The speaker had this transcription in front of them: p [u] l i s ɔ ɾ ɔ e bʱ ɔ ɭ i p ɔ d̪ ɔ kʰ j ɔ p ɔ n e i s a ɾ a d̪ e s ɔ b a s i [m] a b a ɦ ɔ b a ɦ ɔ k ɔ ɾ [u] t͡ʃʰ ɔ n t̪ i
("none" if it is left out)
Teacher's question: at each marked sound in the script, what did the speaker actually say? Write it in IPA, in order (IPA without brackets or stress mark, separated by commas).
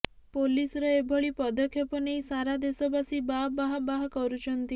o, b, u